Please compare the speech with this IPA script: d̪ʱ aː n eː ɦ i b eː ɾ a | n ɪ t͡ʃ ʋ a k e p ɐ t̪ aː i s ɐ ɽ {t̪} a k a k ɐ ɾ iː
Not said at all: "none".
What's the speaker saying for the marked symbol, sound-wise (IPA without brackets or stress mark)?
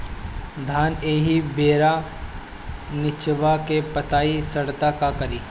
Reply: t̪